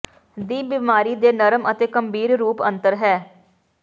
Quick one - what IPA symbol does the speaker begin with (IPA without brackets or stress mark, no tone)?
d̪